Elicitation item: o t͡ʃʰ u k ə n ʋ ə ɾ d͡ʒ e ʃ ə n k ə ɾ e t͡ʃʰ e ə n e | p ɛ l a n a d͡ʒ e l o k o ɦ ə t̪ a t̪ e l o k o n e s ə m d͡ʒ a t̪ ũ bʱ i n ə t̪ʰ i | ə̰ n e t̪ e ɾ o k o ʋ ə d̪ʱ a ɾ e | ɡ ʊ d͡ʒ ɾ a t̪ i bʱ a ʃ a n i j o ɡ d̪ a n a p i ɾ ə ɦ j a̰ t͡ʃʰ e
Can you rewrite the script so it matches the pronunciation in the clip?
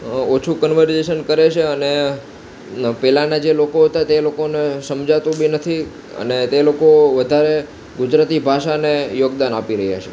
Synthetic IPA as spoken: o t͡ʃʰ u k ə n ʋ ə ɾ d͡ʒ e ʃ ə n k ə ɾ e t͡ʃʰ e ə n e | p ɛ l a n a d͡ʒ e l o k o ɦ ə t̪ a t̪ e l o k o n e s ə m d͡ʒ a t̪ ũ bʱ i n ə t̪ʰ i | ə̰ n e t̪ e l o k o ʋ ə d̪ʱ a ɾ e | ɡ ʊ d͡ʒ ɾ a t̪ i bʱ a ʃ a n e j o ɡ d̪ a n a p i ɾ ə ɦ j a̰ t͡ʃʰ e